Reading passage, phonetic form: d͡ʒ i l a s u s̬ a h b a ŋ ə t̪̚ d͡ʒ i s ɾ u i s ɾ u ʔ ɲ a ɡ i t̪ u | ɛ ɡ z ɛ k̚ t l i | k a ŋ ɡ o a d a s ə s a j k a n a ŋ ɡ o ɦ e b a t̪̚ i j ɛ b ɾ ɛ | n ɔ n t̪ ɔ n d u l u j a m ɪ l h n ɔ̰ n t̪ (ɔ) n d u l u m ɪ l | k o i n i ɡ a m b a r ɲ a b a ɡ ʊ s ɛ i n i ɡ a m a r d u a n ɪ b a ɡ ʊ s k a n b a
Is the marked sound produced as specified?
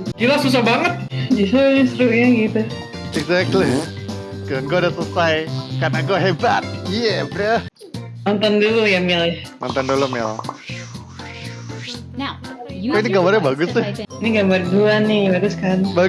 yes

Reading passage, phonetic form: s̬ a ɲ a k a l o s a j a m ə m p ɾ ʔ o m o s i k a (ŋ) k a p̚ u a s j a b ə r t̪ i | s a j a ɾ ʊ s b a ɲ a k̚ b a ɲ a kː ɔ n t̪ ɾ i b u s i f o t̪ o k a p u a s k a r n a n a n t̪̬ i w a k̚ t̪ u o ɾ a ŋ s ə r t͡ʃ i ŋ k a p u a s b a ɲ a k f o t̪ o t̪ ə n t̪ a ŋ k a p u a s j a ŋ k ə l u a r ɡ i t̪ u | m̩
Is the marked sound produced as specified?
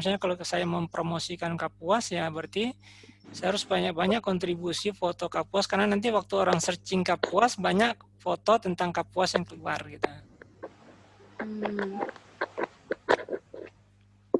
no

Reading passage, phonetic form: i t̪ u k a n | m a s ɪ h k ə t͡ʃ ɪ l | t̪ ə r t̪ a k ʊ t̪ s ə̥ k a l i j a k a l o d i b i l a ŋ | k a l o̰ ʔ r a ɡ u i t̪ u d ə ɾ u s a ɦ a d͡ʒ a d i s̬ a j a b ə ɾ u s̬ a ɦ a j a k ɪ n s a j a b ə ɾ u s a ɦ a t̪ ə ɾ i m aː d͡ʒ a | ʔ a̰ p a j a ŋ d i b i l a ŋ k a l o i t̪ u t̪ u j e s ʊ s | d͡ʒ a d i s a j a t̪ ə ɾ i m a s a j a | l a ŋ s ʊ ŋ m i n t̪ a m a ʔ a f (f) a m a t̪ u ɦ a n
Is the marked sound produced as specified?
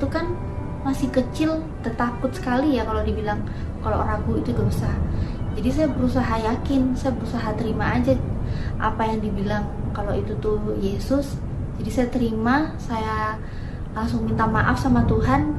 no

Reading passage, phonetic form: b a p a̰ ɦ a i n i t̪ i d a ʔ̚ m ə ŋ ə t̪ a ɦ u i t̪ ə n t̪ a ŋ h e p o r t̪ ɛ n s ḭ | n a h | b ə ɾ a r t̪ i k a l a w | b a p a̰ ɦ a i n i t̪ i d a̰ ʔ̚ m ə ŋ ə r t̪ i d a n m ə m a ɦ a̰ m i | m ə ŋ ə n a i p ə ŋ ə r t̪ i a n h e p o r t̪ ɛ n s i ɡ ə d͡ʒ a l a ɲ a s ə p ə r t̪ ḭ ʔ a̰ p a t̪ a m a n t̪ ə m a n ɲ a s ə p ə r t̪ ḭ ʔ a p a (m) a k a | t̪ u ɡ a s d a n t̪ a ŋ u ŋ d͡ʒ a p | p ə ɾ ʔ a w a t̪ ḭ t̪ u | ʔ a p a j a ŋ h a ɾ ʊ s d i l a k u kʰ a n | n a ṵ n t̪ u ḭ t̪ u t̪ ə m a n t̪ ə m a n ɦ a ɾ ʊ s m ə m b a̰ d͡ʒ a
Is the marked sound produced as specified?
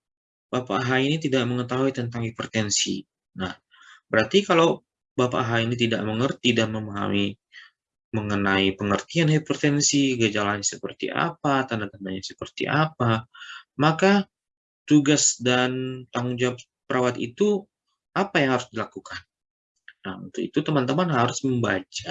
yes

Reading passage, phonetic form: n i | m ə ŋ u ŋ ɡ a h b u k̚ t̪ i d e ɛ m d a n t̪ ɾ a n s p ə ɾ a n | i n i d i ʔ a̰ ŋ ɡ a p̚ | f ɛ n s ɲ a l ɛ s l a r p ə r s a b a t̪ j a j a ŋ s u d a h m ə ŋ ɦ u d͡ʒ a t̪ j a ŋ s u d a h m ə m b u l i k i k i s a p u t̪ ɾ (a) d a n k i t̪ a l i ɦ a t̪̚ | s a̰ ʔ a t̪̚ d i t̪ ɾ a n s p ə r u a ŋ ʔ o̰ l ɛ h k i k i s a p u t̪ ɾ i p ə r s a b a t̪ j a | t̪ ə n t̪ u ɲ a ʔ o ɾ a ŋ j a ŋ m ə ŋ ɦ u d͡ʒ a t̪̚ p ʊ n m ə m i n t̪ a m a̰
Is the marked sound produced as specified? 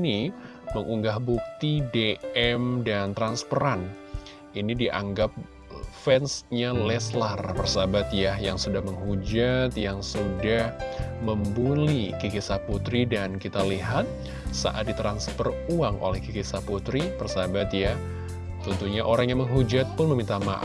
no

